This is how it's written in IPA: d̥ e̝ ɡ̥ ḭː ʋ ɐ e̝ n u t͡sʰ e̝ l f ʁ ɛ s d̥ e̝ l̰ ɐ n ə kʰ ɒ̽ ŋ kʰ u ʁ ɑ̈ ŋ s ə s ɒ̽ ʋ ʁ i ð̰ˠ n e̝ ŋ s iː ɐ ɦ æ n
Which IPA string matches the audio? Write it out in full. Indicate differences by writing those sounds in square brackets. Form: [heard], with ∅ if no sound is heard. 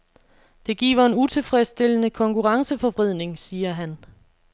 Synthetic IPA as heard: d̥ e̝ ɡ̥ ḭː ʋ ɐ e̝ n u t͡sʰ e̝ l f ʁ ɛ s d̥ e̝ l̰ [ə] n ə kʰ ɒ̽ ŋ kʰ u ʁ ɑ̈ ŋ s ə [f] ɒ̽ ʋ ʁ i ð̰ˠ n e̝ ŋ s iː ɐ ɦ æ n